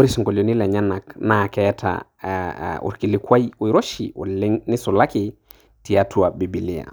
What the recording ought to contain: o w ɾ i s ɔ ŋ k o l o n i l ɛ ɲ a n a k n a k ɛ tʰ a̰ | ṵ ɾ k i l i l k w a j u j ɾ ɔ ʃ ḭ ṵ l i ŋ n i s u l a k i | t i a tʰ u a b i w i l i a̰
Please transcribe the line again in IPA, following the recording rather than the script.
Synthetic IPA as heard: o ɾ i s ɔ ŋ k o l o n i l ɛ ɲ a n a k n a k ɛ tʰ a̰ | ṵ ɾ k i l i k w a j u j ɾ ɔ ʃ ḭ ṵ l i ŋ n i s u l a k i | t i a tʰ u a b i b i l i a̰